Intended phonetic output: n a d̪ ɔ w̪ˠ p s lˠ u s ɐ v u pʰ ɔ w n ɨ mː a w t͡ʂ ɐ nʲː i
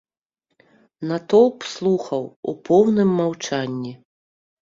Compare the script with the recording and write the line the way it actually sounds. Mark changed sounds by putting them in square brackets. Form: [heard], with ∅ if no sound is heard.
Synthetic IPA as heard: n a [t̪] ɔ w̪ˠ p s lˠ u [x] ɐ [w] u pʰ ɔ w n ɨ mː a w t͡ʂ [a] nʲː i